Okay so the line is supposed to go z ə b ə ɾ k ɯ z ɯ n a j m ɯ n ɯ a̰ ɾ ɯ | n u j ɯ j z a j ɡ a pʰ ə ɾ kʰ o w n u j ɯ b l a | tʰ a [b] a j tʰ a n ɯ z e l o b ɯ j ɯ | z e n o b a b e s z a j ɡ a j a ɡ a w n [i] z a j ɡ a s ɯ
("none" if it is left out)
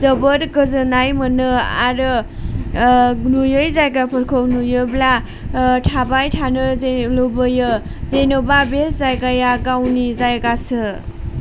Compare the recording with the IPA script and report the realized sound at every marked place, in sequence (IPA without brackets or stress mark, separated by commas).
b, i